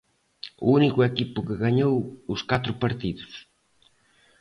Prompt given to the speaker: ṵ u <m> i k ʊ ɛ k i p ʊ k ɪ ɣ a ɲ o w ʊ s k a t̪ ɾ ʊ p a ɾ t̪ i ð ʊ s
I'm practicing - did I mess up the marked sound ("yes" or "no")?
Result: yes